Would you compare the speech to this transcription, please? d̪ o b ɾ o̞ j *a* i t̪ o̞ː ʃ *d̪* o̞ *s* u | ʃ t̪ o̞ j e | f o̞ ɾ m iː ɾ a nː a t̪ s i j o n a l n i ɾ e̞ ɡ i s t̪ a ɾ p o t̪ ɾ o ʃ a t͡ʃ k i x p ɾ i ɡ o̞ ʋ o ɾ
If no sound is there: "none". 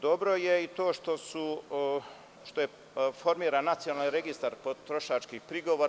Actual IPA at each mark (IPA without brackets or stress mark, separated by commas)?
e, t̪, s